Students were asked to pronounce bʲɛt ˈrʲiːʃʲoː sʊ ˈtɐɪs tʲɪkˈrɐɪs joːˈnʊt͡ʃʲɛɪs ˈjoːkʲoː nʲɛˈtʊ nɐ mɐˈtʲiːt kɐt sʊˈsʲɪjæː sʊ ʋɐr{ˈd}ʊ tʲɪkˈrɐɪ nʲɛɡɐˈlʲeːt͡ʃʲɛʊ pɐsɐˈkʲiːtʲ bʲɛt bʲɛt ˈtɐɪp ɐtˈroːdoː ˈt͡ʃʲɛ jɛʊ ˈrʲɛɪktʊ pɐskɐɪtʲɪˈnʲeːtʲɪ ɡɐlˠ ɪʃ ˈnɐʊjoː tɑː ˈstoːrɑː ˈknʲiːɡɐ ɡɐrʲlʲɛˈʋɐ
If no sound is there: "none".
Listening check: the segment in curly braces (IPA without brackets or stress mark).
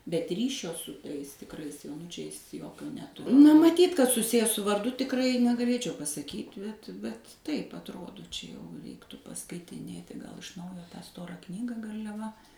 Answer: d